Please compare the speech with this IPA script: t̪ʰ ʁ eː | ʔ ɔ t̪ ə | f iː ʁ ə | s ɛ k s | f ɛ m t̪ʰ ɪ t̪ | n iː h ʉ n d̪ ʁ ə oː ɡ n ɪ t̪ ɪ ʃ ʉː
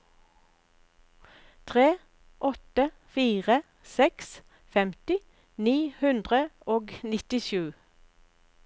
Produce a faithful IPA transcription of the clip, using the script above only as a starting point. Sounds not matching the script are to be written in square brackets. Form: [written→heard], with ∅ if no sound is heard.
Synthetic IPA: t̪ʰ ʁ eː | ʔ ɔ t̪ ə | f iː ʁ ə | s ɛ k s | f ɛ m [t̪ʰ→t̪] ɪ [t̪→∅] | n iː h ʉ n d̪ ʁ ə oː ɡ n ɪ t̪ ɪ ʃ ʉː